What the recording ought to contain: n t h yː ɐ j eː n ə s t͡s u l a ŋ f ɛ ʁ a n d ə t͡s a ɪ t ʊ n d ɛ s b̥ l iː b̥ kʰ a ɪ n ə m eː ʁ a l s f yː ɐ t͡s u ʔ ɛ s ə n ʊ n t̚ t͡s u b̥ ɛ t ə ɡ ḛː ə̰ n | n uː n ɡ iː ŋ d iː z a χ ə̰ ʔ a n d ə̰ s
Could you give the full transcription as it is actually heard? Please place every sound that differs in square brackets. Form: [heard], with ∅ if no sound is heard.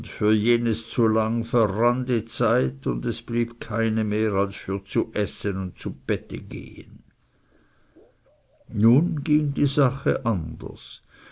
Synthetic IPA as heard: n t [f] yː ɐ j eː n ə s t͡s u l a ŋ f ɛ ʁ a n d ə t͡s a ɪ t ʊ n d ɛ s b̥ l iː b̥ kʰ a ɪ n ə m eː ʁ a l s f yː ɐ t͡s u ʔ ɛ s ə n ʊ n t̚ t͡s u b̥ ɛ t ə ɡ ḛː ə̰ n | n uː n ɡ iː ŋ d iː z a χ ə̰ ʔ a n d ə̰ s